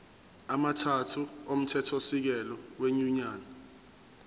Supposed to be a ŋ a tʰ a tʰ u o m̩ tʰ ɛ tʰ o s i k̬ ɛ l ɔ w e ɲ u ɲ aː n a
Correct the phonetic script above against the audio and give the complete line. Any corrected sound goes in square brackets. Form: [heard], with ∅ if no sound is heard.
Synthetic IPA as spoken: a [m] a tʰ a tʰ u o m̩ tʰ ɛ tʰ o s i k̬ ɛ l ɔ w e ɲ u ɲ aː n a